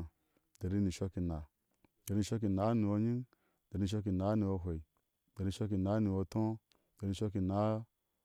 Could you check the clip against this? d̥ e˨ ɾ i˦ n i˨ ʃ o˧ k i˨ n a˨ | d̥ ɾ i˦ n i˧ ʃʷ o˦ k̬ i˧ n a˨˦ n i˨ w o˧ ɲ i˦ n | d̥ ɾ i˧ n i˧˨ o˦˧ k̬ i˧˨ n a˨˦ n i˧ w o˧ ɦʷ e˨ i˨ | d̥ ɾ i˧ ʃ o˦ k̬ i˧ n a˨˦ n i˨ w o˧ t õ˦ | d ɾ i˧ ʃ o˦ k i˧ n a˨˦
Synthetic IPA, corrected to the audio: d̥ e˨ ɾ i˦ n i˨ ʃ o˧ k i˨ n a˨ | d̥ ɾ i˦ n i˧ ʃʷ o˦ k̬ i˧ n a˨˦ n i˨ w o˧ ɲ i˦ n | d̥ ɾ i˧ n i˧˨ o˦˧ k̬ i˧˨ n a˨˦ n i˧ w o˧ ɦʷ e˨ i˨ | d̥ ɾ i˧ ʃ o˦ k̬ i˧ n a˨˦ n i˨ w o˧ t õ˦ | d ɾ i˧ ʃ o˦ k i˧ n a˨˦